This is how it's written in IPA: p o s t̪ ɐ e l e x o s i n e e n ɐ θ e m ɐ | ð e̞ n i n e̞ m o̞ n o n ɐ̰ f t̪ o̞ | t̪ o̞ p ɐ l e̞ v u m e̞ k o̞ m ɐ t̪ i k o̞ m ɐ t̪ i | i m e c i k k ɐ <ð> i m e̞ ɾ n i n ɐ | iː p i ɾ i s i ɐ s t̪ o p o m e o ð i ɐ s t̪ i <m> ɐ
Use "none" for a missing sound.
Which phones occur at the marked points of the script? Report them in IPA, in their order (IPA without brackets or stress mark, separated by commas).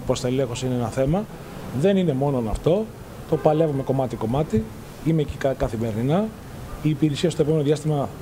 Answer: θ, m